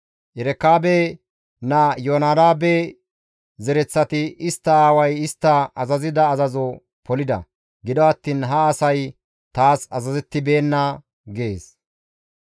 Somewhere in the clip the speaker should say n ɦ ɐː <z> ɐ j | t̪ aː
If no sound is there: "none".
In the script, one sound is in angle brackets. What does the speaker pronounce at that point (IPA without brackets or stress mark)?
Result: s